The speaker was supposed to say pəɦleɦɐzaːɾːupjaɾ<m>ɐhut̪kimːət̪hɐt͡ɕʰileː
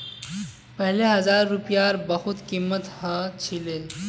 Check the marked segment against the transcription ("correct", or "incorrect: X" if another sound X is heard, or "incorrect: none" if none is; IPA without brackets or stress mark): incorrect: b